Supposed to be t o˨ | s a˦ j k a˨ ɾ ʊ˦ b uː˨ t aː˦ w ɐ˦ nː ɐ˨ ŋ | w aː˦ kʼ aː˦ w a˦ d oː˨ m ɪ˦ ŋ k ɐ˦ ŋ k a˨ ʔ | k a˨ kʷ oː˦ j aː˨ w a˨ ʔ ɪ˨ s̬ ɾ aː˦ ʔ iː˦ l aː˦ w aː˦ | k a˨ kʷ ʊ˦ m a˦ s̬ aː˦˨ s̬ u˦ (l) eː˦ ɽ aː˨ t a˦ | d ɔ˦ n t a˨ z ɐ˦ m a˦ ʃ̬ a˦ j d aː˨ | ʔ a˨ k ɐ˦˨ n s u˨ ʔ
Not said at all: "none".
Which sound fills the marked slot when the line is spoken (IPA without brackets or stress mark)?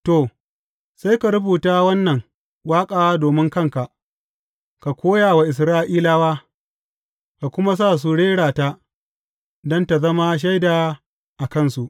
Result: ɽ